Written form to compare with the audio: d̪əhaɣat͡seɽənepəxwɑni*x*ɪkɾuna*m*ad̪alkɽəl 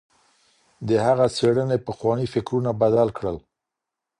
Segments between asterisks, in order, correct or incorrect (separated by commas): incorrect, incorrect